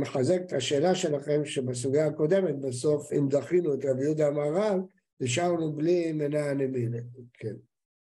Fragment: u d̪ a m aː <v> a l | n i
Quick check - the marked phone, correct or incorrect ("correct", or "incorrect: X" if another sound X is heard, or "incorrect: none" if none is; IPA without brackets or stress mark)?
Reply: incorrect: ʁ